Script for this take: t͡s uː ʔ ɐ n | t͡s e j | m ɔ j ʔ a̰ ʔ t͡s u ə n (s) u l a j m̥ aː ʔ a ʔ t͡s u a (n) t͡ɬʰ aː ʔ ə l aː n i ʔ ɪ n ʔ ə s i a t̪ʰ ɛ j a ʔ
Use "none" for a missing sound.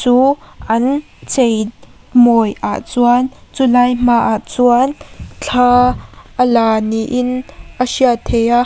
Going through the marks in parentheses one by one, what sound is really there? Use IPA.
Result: t͡s, n

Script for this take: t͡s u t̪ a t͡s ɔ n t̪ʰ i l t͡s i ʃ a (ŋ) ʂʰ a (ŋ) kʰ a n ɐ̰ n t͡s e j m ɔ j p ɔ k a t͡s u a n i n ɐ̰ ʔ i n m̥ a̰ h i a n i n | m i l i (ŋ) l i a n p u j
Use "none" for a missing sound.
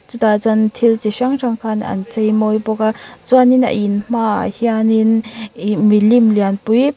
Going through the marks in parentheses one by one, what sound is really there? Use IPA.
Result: ŋ, ŋ, m

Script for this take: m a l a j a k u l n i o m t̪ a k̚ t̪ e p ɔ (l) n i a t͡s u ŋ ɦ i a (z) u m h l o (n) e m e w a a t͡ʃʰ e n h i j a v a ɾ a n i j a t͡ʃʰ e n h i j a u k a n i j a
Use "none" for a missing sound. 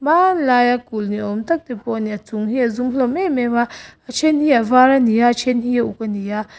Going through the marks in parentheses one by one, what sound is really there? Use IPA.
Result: none, z, m

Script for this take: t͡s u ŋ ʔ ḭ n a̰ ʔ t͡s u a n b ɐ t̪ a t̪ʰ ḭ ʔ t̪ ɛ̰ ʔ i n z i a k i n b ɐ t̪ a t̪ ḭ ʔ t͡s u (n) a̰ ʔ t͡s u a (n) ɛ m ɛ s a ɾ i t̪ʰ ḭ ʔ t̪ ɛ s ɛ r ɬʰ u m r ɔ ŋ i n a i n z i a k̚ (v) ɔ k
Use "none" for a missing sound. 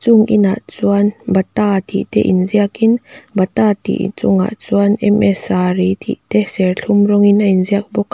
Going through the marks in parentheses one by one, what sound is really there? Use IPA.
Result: ŋ, n, b

